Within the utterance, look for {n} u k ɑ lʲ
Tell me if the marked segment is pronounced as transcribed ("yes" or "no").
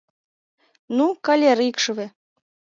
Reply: yes